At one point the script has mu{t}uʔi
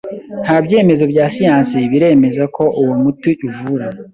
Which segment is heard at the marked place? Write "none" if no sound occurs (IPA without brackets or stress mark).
t